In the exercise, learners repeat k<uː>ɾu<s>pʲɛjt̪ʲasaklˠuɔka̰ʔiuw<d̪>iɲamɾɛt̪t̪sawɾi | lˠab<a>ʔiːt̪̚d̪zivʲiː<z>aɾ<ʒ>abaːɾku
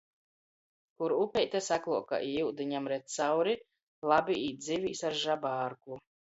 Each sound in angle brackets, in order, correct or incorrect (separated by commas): incorrect, incorrect, correct, incorrect, incorrect, correct